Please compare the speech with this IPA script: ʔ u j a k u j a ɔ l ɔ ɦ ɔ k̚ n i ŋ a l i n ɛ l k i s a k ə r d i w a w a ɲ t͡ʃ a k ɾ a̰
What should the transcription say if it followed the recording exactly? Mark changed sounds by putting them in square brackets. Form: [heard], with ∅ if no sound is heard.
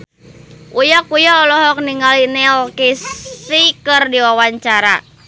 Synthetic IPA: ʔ u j a k u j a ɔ l ɔ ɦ ɔ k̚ n i ŋ a l i n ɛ l k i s [i] k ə r d i w a w a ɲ t͡ʃ a [∅] ɾ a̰